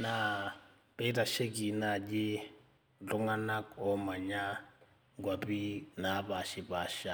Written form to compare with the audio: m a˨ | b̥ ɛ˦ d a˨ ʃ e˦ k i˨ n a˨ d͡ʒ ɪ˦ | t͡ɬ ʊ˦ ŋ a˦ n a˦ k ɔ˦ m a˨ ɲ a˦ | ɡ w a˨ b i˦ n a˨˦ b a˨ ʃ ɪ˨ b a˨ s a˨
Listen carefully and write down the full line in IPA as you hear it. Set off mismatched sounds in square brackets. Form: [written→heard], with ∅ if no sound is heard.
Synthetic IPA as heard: [m→n] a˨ | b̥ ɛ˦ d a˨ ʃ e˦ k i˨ n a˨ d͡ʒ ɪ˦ | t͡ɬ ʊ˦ ŋ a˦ n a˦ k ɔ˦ m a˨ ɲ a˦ | ɡ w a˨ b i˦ n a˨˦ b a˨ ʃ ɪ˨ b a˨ [s→ʃ] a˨